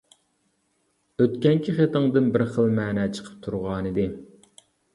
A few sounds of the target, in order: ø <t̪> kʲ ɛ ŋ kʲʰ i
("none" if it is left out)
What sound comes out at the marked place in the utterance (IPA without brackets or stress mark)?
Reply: t̪